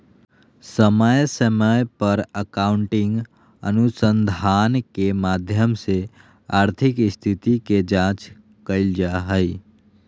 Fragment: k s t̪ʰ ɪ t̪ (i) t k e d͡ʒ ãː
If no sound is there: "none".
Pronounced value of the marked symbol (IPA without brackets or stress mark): i